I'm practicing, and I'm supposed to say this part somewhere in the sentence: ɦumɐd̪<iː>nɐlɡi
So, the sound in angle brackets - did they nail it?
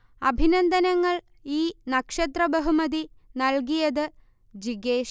no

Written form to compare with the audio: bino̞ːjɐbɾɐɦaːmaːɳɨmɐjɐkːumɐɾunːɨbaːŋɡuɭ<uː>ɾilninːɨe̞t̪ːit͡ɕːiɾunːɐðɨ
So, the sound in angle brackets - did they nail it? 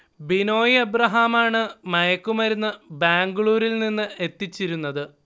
yes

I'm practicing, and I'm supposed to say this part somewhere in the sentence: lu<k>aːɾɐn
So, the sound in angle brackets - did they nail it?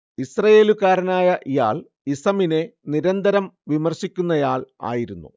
yes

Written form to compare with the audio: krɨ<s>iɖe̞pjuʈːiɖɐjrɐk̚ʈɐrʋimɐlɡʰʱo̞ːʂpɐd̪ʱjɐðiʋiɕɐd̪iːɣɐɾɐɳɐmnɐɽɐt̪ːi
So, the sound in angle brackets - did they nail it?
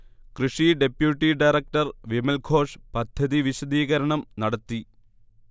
no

